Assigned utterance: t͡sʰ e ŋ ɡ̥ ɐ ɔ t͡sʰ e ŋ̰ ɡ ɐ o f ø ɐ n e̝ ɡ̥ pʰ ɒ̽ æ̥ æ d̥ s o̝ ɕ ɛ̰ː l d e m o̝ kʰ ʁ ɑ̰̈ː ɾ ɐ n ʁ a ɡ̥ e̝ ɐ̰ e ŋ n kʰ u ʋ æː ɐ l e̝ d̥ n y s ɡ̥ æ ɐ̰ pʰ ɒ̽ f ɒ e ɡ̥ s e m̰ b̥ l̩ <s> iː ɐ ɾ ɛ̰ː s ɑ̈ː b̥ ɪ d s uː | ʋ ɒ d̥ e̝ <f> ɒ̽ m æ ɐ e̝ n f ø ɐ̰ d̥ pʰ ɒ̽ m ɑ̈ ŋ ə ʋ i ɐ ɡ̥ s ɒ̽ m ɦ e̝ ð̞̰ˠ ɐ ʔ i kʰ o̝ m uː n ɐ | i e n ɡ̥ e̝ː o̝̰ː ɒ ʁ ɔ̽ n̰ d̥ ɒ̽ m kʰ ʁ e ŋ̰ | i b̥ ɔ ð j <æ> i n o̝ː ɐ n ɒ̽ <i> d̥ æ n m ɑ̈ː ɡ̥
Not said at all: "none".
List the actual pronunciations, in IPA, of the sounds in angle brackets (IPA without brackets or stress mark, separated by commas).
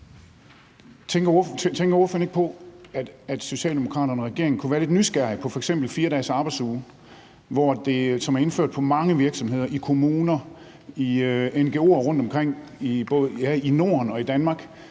f, s, æ, i